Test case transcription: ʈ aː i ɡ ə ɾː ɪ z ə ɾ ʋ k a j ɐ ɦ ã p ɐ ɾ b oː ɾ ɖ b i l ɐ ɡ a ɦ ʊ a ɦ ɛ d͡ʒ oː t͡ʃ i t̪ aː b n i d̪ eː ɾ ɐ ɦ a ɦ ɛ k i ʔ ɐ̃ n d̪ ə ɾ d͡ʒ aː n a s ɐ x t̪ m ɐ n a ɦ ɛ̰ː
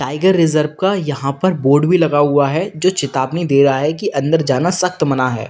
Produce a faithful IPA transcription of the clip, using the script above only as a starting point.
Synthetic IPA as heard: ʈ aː ɪ ɡ ə ɾː ɪ z ə ɾ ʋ k a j ɐ ɦ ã p ɐ ɾ b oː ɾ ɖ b i l ɐ ɡ a ɦ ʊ a ɦ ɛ d͡ʒ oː t͡ʃ ɪ t̪ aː b n i d̪ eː ɾ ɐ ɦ a ɦ ɛ k i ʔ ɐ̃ n d̪ ə ɾ d͡ʒ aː n a s ɐ x t̪ m ɐ n a ɦ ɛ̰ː